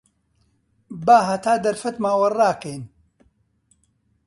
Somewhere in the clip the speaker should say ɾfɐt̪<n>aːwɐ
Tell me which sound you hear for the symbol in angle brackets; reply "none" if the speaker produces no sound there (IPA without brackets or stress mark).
m